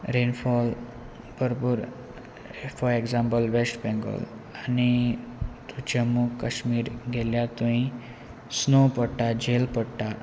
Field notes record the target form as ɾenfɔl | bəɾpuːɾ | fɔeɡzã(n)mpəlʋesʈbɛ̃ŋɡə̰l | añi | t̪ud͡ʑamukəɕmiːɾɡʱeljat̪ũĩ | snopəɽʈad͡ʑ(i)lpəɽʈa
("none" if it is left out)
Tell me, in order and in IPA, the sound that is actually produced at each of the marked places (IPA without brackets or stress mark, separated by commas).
none, e